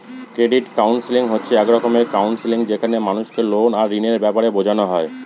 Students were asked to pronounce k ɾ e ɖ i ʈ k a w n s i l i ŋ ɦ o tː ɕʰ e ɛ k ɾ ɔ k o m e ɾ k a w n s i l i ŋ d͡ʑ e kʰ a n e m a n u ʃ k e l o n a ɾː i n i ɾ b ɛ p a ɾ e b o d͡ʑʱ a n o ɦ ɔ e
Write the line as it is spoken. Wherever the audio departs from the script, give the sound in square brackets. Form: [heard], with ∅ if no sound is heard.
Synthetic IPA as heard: k ɾ e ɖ i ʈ k a w n s i l i ŋ ɦ o tː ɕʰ e ɛ k ɾ ɔ k o m e ɾ k a w n s i l i ŋ d͡ʑ e kʰ a n e m a n u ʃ k e l o n a ɾː i n [e] ɾ b ɛ p a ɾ e b o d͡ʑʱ a n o ɦ ɔ e